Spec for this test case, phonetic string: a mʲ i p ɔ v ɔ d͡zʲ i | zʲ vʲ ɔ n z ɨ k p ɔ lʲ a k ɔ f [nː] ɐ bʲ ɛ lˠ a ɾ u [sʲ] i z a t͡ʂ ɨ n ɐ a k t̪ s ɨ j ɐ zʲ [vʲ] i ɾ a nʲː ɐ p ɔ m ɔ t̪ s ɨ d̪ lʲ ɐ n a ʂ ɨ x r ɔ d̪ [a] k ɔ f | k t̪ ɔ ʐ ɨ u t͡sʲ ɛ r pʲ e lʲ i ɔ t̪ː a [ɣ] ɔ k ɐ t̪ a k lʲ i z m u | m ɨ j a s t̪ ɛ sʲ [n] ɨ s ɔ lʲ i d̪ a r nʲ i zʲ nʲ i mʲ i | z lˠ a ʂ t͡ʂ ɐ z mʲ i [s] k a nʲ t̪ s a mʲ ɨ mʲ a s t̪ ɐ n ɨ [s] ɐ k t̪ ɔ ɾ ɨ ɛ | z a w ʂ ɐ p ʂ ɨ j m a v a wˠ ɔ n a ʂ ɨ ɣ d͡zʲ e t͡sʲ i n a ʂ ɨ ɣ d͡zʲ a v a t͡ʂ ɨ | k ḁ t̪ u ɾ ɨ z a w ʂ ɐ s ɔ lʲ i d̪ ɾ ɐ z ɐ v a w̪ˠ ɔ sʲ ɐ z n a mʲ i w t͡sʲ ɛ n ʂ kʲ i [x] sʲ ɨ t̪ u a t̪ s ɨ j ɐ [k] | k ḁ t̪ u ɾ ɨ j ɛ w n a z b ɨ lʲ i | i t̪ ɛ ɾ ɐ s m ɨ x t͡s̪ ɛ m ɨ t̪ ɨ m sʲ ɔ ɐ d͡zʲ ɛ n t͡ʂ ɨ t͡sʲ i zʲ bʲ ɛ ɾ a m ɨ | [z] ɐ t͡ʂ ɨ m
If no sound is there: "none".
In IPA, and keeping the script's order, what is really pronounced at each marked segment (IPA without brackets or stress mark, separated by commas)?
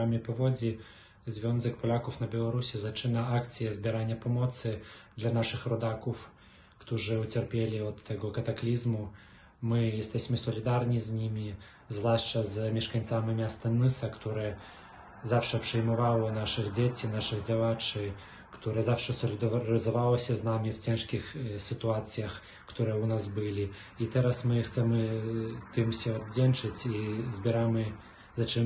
n, sʲ, bʲ, a, ɣ, m, ʂ, s, x, x, z